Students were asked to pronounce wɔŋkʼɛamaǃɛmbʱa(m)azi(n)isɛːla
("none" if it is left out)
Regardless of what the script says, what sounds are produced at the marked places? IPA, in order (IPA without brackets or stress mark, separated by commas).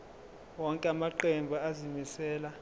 none, m